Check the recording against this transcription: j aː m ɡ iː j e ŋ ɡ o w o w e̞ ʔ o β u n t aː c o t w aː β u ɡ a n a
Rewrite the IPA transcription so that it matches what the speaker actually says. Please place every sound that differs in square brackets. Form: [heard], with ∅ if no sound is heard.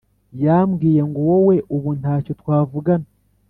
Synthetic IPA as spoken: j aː m ɡ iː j e ŋ ɡ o w o w e̞ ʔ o β u n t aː c o t w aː [v] u ɡ a n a

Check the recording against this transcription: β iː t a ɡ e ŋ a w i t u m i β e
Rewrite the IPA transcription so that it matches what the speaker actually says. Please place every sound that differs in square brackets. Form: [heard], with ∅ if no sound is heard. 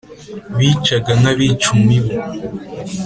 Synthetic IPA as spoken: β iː [t͡ʃ] a ɡ [a] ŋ a [β] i [t͡ʃ] u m i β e

